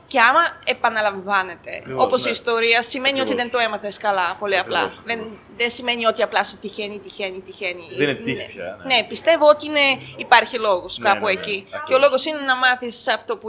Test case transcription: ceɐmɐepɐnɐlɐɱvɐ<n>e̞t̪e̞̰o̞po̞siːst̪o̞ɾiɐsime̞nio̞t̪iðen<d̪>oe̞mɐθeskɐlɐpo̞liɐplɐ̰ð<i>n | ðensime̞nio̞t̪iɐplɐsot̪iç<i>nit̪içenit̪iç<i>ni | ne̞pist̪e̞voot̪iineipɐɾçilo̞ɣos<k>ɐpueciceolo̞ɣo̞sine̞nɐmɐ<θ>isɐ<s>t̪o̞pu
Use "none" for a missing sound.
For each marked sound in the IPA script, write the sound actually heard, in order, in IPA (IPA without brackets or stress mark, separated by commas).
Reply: n, t̪, e, e, e, k, θ, f